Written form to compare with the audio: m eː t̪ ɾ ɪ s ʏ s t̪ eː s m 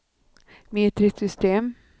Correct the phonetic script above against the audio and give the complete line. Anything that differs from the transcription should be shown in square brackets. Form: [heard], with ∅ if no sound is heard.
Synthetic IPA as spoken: m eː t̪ ɾ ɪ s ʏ s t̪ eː [∅] m